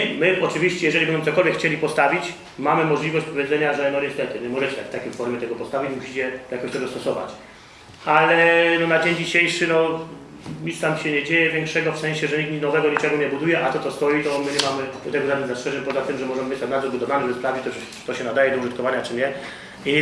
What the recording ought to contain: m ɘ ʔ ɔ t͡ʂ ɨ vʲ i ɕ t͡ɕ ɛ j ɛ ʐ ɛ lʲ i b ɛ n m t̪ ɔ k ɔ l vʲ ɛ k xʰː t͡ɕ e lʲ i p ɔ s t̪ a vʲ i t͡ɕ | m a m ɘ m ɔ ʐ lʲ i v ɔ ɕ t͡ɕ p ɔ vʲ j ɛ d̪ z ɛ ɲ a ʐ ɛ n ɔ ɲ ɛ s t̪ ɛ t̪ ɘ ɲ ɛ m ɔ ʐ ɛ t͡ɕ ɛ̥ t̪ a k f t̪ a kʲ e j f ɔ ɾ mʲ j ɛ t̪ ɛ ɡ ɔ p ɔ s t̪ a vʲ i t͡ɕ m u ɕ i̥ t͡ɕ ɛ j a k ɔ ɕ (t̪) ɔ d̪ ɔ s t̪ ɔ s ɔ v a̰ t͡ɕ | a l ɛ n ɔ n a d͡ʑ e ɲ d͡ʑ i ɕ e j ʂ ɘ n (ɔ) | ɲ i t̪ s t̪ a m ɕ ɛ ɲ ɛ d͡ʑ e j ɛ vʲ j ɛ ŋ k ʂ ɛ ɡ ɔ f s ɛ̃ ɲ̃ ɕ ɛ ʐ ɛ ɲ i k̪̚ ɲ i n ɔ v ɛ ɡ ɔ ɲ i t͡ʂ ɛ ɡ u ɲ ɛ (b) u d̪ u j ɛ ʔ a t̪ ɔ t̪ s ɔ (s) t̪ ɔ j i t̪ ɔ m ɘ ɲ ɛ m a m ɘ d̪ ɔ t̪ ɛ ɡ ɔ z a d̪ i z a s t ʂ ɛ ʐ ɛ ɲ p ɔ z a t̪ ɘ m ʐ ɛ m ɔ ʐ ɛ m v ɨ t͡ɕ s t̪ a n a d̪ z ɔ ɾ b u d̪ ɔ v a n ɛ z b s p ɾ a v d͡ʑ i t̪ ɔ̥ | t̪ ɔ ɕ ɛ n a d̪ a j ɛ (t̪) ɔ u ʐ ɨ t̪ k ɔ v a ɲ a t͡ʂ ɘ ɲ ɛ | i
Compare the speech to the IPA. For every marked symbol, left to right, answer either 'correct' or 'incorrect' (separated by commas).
correct, correct, correct, correct, incorrect